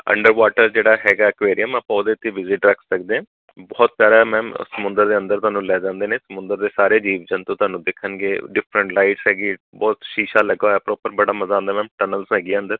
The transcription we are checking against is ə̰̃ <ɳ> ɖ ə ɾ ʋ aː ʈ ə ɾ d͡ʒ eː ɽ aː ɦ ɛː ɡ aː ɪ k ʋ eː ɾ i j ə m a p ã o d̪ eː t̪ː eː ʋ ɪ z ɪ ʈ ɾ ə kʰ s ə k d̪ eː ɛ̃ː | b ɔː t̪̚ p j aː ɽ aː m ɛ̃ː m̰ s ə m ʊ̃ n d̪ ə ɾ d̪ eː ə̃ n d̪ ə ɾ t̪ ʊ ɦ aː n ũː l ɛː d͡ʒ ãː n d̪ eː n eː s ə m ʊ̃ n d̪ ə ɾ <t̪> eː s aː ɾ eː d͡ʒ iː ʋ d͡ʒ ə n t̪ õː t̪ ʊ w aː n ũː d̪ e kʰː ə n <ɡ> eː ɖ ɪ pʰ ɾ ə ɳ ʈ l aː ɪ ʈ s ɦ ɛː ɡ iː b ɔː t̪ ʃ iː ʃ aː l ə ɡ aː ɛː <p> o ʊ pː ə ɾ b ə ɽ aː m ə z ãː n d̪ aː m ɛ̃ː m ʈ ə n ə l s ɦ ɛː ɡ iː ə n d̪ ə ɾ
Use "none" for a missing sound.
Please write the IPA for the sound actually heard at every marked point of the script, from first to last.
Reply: ɳ, d̪, ɡ, p

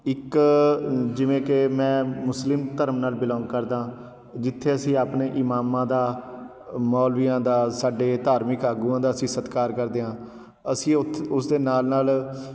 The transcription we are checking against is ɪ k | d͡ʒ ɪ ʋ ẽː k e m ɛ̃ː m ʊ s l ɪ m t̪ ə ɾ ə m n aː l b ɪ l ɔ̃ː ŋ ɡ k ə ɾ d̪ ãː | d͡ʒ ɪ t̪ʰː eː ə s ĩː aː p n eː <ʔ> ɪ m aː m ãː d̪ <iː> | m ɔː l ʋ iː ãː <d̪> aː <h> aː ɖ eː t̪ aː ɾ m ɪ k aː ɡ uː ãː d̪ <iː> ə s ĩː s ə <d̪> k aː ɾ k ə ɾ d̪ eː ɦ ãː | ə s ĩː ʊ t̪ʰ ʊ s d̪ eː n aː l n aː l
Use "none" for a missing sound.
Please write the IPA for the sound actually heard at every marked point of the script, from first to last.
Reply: ʔ, aː, d̪, s, aː, t̪

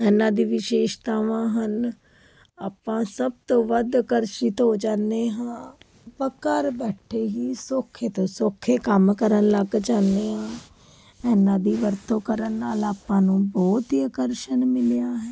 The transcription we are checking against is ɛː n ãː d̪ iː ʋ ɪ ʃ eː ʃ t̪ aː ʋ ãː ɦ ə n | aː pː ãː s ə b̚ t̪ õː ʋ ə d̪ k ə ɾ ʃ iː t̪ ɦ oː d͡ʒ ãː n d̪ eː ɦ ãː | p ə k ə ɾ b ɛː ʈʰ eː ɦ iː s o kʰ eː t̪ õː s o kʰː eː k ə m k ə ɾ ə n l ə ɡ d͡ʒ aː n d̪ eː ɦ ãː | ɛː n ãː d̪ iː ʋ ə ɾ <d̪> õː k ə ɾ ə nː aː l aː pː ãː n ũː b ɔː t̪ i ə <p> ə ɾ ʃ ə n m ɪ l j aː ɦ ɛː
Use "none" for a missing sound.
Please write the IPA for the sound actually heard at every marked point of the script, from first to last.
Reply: t̪, k

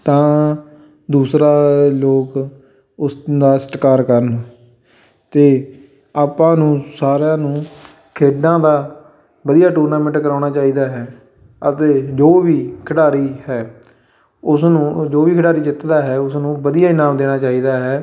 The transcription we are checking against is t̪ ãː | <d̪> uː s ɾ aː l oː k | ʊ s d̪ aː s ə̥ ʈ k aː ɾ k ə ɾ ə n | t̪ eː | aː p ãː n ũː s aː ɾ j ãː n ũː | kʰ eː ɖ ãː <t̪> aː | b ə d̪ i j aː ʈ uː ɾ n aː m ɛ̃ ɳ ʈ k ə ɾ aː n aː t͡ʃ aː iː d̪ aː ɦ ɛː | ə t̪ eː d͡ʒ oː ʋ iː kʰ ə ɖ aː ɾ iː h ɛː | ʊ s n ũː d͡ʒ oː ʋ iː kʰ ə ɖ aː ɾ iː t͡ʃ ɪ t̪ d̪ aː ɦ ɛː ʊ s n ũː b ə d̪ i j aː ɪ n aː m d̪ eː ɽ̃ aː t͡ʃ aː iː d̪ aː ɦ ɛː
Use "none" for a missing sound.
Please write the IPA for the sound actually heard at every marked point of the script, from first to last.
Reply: d̪, d̪

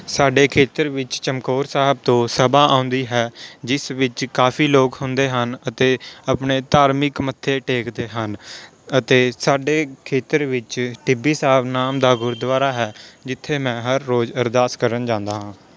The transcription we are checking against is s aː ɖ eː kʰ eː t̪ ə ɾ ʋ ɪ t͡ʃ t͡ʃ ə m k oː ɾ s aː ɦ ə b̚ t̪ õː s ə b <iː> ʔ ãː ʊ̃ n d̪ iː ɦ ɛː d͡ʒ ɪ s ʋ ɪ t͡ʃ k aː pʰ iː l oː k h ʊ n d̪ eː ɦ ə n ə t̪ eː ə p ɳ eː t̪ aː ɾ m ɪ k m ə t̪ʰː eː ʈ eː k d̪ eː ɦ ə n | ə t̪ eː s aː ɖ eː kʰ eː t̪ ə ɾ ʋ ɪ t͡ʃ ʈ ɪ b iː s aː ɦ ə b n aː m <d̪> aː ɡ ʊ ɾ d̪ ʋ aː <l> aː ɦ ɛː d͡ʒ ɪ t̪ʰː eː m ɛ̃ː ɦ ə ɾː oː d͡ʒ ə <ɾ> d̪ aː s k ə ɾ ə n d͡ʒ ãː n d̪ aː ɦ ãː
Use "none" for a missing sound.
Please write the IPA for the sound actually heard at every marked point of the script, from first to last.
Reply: aː, d̪, ɾ, ɾ

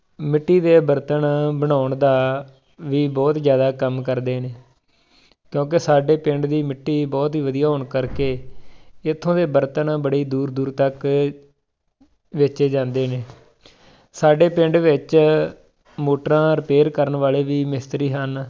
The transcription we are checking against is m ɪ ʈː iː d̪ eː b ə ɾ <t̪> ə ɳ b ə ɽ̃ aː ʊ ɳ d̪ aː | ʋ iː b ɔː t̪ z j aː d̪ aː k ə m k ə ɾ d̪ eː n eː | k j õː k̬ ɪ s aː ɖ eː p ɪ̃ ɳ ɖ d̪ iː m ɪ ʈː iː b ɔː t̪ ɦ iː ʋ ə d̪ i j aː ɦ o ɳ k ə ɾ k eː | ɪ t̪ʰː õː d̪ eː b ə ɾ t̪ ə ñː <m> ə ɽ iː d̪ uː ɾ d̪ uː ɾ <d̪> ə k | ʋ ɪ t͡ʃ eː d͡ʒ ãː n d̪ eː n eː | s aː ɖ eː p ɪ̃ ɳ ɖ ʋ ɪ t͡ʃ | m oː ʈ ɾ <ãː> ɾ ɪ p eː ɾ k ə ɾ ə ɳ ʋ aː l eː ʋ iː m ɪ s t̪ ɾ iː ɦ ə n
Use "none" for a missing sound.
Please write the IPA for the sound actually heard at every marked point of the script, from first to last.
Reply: t̪, b, t̪, ãː

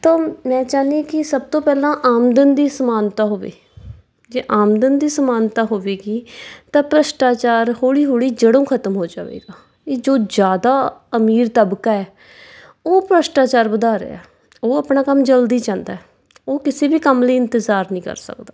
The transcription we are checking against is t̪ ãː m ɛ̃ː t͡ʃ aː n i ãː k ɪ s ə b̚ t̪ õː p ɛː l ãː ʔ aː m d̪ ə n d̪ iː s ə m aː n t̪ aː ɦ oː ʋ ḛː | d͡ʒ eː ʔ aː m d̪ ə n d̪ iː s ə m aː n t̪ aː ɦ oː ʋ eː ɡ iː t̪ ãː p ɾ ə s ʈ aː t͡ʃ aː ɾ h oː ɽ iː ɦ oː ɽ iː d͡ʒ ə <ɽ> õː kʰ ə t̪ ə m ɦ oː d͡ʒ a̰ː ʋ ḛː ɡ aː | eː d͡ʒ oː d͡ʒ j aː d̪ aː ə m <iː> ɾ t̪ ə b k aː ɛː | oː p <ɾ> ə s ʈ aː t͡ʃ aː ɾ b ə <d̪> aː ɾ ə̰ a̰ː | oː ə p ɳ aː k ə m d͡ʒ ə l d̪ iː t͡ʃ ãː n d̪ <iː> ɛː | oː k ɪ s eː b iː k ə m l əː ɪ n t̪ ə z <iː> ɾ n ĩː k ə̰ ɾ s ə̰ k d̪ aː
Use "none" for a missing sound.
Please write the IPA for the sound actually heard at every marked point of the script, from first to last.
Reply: ɽ, iː, ɾ, d̪, aː, aː

